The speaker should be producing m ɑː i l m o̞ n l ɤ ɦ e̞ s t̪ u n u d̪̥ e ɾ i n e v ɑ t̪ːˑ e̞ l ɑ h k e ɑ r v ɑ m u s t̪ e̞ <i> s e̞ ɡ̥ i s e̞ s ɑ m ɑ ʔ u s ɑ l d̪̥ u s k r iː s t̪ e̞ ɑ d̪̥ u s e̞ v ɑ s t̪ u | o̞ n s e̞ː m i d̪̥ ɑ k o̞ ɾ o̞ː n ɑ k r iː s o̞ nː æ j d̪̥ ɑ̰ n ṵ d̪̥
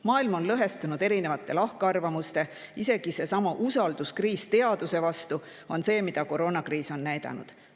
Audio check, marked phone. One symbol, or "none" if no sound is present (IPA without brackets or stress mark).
i